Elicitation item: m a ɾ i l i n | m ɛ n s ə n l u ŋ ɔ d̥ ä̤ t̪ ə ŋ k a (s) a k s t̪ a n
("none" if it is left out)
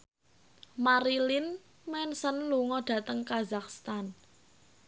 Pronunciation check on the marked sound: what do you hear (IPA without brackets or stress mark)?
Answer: z